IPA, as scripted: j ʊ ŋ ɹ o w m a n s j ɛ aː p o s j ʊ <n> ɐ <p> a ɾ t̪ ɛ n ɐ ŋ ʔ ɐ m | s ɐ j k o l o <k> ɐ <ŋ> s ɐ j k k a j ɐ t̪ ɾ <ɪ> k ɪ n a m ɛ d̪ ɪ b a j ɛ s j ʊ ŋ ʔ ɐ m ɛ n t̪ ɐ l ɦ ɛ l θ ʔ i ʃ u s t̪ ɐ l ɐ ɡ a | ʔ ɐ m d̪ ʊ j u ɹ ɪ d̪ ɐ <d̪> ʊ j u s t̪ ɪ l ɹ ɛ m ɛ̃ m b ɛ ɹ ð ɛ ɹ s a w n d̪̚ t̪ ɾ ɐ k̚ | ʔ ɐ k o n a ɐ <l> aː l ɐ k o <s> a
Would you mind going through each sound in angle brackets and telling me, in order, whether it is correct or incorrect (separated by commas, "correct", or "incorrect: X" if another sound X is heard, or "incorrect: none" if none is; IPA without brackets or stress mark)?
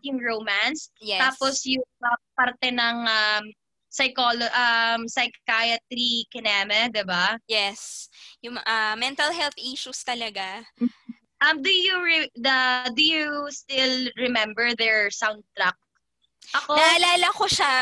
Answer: incorrect: ŋ, correct, incorrect: ʔ, incorrect: m, incorrect: i, correct, correct, incorrect: ʃ